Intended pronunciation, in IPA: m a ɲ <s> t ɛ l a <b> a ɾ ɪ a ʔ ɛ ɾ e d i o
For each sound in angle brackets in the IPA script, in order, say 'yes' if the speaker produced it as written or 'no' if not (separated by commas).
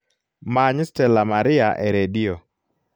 yes, no